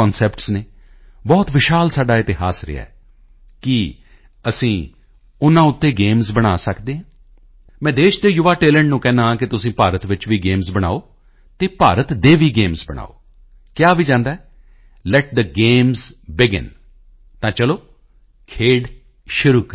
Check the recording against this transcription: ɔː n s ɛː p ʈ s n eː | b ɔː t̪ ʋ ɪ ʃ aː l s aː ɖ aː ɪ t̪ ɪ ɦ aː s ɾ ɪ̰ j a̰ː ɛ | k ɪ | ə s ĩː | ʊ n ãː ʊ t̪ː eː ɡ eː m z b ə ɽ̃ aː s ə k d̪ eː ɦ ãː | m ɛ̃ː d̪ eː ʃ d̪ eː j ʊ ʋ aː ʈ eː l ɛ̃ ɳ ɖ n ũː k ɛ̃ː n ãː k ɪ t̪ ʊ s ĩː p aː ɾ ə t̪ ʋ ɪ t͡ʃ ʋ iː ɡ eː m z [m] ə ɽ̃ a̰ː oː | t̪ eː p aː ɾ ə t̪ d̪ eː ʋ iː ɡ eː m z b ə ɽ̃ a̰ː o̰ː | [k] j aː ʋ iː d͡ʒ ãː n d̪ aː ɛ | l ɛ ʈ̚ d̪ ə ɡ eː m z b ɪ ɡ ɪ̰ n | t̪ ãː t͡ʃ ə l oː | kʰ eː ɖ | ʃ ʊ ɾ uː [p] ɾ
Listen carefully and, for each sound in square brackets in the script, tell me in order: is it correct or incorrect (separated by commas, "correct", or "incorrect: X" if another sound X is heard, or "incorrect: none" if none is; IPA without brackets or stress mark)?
incorrect: b, correct, incorrect: k